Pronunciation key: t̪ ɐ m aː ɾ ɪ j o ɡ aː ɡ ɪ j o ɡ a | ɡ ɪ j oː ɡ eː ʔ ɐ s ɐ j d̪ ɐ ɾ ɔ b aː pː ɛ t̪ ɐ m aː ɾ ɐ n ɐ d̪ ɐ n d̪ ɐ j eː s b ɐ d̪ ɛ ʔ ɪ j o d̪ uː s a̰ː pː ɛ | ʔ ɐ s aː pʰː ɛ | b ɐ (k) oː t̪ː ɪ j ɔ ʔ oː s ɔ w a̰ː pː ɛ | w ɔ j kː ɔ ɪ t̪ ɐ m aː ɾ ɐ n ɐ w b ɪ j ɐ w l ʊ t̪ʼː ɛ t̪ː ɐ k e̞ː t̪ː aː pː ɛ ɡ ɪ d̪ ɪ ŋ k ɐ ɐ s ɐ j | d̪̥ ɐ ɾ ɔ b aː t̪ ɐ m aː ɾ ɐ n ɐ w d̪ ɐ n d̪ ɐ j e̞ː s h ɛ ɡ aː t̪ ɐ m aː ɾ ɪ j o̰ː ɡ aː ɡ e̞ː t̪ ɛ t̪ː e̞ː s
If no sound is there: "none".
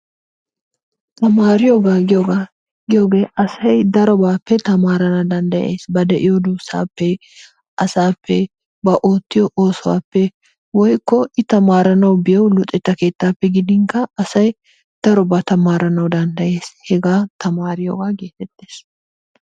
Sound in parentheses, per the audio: ʔ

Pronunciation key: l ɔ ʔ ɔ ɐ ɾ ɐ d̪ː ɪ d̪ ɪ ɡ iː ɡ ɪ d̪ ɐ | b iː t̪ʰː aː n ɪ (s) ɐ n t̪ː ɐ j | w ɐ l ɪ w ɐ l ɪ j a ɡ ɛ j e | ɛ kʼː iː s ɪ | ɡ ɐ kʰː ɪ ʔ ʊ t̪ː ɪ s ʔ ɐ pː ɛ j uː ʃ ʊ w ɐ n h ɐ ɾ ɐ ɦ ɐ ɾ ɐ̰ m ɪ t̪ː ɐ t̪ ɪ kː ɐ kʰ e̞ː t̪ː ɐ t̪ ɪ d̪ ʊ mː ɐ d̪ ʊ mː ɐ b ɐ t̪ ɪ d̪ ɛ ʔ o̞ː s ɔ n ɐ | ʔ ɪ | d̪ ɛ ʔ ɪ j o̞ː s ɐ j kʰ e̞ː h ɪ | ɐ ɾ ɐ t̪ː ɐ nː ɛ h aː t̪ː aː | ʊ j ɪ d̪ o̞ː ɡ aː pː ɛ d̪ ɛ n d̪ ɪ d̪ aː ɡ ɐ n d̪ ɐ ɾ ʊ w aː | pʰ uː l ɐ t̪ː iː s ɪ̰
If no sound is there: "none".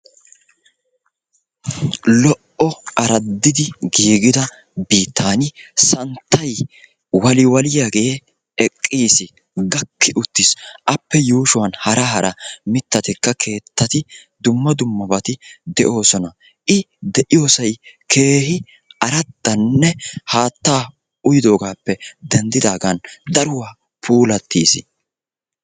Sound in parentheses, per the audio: s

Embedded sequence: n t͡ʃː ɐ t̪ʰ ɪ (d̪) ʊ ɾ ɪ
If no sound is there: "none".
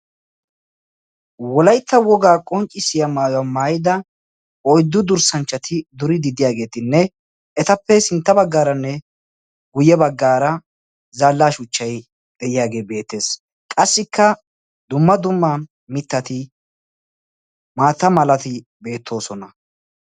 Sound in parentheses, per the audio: d̪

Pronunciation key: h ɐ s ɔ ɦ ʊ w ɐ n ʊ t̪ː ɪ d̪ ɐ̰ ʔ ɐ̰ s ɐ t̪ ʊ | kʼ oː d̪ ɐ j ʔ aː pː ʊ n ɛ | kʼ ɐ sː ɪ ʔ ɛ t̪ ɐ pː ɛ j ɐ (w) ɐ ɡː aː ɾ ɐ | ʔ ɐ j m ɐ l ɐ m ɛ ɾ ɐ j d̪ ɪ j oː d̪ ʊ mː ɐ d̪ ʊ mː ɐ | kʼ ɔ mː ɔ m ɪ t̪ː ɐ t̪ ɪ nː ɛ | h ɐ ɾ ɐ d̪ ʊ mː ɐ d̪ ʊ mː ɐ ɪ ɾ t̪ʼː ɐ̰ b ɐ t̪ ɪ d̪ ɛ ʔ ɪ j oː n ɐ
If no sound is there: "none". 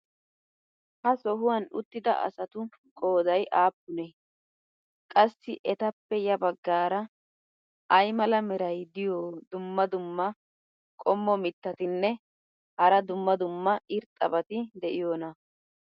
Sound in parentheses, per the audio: b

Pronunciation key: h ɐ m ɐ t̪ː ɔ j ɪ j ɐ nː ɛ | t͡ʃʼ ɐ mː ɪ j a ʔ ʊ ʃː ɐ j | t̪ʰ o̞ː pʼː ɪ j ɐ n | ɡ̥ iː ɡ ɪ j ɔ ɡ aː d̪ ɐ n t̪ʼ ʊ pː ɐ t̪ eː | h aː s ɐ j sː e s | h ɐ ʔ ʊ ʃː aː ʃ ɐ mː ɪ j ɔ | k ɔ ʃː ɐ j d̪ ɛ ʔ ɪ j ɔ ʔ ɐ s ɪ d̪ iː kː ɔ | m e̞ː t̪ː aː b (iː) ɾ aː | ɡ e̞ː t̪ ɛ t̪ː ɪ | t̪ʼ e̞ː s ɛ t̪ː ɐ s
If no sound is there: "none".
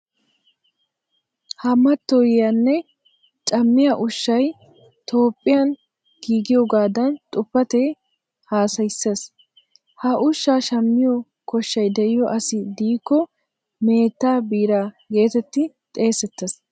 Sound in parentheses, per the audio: iː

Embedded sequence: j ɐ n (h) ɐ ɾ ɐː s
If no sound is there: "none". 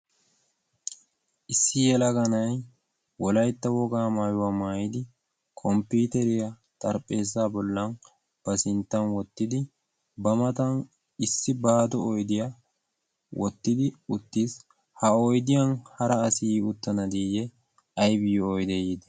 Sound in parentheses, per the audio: h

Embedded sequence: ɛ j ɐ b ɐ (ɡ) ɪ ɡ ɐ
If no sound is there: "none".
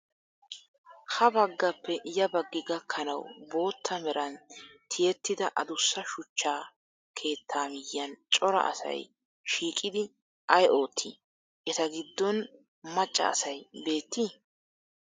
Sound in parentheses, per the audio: ɡː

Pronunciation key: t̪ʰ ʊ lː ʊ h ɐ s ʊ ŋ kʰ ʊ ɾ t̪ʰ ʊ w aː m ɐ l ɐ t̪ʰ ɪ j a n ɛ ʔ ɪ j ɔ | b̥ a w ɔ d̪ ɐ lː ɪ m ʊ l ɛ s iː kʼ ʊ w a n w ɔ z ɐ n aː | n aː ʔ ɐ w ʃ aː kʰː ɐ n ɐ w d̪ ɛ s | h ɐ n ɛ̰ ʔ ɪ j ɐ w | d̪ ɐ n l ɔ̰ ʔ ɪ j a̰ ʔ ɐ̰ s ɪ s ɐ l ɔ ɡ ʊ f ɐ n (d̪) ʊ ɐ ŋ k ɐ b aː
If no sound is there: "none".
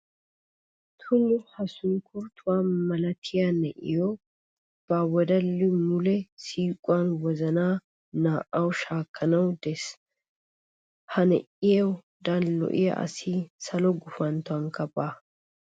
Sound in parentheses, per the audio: t̪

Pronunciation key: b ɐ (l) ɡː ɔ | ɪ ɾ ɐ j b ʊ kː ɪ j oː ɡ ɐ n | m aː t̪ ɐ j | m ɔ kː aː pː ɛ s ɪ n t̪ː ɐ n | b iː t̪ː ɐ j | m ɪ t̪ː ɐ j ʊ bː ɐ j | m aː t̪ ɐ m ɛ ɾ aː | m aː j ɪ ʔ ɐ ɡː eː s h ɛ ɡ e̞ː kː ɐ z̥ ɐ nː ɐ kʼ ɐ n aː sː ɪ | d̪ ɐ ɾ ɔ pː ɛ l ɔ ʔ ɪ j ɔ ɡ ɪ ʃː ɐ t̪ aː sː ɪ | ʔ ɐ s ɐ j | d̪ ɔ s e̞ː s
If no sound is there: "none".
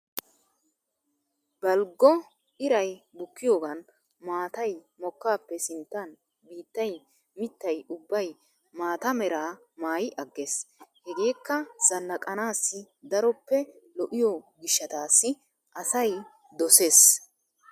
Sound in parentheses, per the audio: l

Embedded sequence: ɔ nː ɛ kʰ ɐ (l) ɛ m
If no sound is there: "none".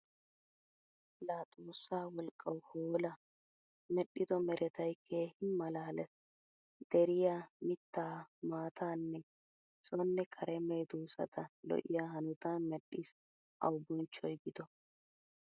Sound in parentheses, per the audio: ɾ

